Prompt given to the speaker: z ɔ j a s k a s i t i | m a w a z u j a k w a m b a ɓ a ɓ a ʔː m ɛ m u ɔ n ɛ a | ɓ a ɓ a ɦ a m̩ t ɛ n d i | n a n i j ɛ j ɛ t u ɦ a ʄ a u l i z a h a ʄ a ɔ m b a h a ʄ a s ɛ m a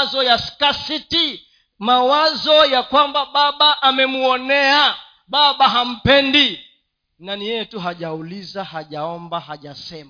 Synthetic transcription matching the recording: z ɔ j a s k a s i t i | m a w a z ɔ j a k w a m b a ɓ a ɓ a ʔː m ɛ m u ɔ n ɛ a | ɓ a ɓ a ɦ a m̩ p ɛ n d i | n a n i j ɛ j ɛ t u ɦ a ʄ a u l i z a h a ʄ a ɔ m b a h a ʄ a s ɛ m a